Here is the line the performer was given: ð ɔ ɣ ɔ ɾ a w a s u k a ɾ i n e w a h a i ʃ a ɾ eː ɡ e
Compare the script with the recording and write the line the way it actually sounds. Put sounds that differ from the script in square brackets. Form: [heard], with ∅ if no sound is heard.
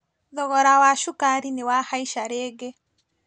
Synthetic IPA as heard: ð ɔ ɣ ɔ ɾ a w a [ʃ] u k a ɾ i n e w a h a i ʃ a ɾ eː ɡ e